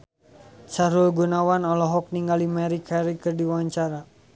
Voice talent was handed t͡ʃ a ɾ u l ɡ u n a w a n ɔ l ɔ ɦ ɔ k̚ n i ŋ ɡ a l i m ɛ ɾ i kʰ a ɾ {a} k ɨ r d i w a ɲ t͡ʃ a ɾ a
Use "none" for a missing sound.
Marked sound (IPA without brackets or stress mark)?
i